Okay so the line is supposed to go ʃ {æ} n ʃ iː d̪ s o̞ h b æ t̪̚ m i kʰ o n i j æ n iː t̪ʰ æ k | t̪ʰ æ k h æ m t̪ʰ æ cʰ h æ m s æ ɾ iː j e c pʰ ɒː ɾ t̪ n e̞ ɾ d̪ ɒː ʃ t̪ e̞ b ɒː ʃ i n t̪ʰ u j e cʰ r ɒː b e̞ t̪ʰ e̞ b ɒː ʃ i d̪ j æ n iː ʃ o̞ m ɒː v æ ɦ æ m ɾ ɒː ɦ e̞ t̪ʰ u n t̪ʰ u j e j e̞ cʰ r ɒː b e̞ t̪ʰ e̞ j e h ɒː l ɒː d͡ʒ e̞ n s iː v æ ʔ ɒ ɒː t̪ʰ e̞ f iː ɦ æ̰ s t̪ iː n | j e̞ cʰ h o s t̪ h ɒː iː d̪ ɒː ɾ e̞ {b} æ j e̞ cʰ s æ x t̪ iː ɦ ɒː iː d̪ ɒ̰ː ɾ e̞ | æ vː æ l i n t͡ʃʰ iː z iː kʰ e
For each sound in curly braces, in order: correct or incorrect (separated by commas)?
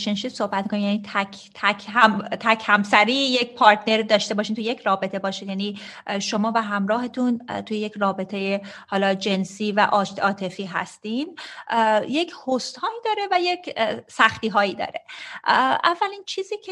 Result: incorrect, incorrect